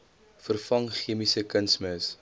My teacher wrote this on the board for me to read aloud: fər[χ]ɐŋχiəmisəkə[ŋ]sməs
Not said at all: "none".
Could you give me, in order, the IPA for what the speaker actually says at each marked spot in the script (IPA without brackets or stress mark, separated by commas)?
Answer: f, n